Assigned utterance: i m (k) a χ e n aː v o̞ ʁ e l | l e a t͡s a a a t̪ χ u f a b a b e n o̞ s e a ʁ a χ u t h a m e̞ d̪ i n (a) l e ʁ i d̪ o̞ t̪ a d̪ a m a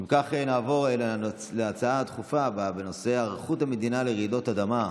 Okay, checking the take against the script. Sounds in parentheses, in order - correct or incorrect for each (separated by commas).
correct, correct